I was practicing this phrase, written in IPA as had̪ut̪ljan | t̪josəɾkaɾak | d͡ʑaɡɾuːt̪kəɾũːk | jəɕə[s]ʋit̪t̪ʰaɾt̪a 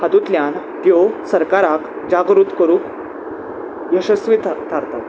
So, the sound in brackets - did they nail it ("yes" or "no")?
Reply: yes